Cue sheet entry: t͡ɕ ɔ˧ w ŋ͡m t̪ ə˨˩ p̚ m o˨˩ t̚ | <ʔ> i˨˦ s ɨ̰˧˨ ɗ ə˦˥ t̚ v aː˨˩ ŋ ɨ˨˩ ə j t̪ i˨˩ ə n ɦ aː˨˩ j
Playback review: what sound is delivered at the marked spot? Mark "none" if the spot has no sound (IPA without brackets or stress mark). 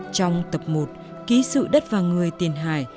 k